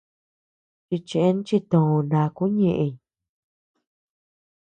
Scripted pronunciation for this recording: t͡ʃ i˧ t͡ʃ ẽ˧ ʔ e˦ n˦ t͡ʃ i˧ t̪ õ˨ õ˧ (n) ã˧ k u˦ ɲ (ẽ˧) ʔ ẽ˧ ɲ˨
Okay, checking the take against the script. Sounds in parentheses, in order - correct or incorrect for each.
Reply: correct, correct

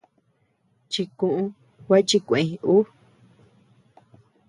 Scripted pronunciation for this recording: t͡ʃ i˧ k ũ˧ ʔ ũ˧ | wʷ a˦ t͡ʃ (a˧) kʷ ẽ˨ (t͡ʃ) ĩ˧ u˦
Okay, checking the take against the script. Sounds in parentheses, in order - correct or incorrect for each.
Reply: incorrect, incorrect

